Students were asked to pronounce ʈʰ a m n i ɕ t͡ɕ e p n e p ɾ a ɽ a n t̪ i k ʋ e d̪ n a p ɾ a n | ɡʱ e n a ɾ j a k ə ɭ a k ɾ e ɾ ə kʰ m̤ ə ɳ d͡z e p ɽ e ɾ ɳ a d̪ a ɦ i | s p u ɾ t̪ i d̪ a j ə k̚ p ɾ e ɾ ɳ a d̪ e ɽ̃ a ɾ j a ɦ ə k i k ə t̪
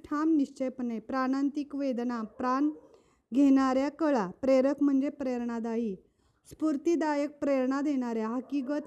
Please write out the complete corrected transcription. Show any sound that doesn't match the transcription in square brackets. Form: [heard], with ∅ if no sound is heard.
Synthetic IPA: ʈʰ a m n i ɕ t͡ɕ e p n e p ɾ a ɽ a n t̪ i k ʋ e d̪ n a p ɾ a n | ɡʱ e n a ɾ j a k ə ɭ a [p] ɾ e ɾ ə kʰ m̤ ə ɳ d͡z e p [ɾ] e ɾ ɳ a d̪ a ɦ i | s p u ɾ t̪ i d̪ a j ə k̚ p ɾ e ɾ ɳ a d̪ e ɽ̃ a ɾ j a ɦ ə k i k ə t̪